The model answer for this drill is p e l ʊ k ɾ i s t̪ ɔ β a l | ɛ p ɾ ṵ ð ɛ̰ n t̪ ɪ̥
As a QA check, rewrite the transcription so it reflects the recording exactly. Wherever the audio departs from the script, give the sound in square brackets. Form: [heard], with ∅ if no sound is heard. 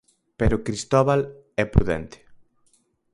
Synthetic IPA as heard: p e [ɾ] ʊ k ɾ i s t̪ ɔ β a l | ɛ p ɾ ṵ ð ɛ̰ n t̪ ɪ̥